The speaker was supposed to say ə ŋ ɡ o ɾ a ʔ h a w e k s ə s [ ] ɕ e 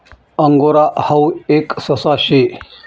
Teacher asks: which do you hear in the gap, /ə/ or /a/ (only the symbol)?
a